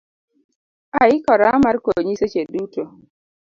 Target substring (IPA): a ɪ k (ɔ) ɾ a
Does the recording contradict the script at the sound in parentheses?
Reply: no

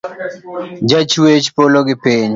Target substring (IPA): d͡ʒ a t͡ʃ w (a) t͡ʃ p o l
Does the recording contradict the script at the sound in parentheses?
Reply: yes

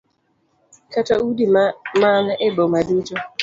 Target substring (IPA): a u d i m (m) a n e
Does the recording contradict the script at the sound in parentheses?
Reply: no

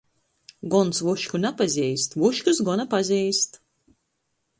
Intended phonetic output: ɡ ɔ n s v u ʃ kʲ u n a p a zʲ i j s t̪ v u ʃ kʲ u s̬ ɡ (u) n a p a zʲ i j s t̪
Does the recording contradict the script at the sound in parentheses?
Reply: yes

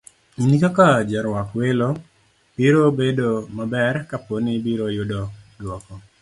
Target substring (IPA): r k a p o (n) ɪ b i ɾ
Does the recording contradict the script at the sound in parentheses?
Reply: no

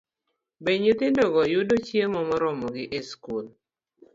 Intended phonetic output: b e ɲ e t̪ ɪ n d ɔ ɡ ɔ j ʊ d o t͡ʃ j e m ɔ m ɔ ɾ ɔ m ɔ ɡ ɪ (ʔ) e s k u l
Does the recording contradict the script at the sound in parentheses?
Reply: no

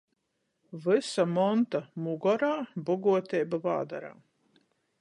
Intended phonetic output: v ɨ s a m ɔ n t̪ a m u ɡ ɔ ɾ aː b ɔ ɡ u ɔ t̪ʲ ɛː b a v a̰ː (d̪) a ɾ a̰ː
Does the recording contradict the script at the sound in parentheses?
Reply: no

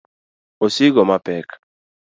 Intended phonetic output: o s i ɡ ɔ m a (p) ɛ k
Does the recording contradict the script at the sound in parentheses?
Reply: no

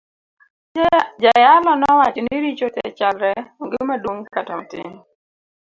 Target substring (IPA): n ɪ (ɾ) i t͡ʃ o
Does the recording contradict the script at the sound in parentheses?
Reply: no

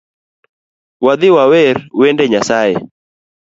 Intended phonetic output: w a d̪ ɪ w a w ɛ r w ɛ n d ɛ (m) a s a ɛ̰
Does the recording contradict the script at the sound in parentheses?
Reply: yes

